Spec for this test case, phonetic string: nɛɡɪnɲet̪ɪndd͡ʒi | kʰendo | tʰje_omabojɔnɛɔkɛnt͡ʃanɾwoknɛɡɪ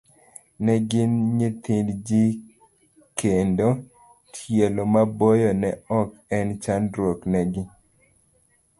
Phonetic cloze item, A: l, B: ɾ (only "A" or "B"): A